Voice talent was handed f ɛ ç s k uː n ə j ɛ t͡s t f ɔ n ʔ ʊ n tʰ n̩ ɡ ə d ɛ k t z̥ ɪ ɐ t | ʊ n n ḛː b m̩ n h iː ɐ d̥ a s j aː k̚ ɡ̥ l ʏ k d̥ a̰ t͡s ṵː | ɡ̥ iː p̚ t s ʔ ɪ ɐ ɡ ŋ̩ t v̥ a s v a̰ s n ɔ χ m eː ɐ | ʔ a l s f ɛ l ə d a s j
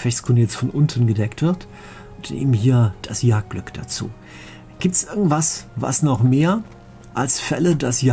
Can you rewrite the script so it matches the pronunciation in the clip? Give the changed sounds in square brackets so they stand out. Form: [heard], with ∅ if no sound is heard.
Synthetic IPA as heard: f ɛ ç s k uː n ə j ɛ t͡s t f ɔ n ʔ ʊ n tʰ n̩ ɡ ə d ɛ k t [v̥] ɪ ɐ t | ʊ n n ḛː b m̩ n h iː ɐ d̥ a s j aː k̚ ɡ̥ l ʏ k d̥ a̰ t͡s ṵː | ɡ̥ iː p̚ t s ʔ ɪ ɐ ɡ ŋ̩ t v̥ a s v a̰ s n ɔ χ m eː ɐ | ʔ a l s f ɛ l ə d a s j